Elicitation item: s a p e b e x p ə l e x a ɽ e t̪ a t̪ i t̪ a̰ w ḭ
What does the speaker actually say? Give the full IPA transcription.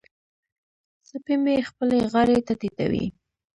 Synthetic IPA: s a p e m e x p ə l e ɣ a ɾ e t̪ a t̪ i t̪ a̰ w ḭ